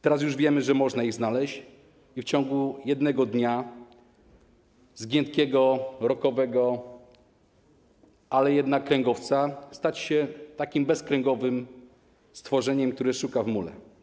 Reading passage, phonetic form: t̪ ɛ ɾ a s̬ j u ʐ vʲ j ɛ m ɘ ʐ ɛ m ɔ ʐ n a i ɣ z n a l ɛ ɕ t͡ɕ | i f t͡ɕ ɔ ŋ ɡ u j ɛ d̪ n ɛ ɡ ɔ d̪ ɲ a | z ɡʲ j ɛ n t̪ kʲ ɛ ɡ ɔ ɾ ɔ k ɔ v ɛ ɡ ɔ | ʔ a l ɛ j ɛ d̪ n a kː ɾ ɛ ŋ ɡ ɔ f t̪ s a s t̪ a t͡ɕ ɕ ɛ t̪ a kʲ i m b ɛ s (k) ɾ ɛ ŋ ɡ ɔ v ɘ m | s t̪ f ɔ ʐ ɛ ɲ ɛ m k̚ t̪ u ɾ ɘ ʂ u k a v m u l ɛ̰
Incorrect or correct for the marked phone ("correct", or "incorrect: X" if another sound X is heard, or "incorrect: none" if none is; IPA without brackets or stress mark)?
correct